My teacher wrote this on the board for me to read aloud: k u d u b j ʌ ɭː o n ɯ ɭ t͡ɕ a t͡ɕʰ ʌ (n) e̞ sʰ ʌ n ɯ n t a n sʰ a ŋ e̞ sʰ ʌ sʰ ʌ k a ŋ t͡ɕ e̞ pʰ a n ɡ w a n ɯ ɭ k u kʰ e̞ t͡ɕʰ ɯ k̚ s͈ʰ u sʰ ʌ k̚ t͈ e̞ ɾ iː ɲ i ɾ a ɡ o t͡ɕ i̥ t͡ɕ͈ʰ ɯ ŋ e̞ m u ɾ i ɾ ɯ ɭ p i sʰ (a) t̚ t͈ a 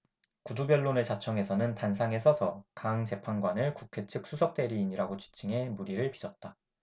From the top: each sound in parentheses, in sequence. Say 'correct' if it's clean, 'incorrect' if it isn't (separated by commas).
incorrect, incorrect